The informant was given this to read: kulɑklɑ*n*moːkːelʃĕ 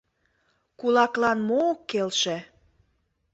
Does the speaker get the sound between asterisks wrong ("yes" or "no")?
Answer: no